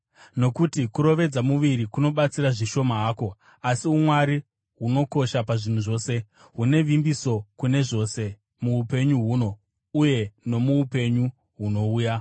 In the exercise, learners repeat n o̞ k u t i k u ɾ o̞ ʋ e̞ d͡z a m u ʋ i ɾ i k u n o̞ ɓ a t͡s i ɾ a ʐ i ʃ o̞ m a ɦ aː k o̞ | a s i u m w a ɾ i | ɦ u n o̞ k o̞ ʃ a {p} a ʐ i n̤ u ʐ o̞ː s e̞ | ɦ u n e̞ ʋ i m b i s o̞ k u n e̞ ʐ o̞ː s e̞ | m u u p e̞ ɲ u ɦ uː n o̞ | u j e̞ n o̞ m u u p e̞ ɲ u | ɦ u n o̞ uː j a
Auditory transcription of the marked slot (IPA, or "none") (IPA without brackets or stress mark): p